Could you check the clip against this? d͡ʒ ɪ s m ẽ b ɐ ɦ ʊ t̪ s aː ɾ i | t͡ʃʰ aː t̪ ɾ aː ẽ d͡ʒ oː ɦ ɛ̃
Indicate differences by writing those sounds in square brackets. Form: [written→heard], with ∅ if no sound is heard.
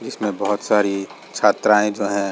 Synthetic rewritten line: d͡ʒ ɪ s m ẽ b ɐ ɦ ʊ t̪ s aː ɾ i | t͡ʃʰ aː t̪ ɾ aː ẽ d͡ʒ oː ɦ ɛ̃